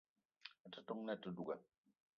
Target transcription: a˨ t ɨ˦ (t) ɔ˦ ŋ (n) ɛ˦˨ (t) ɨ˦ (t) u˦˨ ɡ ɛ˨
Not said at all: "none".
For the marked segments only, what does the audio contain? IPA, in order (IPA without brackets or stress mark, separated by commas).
t, n, t, d